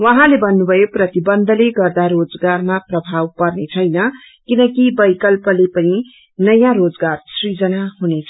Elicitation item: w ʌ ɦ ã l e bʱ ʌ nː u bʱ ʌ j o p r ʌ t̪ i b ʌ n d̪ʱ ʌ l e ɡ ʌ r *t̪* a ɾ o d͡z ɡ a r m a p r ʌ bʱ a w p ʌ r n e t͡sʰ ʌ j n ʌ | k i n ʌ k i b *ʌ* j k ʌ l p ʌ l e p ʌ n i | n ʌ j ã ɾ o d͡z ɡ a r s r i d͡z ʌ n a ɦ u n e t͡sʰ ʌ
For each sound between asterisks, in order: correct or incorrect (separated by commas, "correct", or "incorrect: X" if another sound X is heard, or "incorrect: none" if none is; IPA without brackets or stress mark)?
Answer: incorrect: d̪, correct